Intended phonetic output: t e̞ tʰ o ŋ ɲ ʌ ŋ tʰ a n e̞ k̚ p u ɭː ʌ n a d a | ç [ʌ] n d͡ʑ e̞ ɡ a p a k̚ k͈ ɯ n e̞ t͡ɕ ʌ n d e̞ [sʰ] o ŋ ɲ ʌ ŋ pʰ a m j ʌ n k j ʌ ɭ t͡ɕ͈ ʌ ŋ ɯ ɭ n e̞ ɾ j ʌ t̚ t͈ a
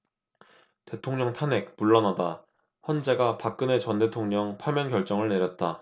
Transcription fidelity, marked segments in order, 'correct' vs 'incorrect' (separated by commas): correct, incorrect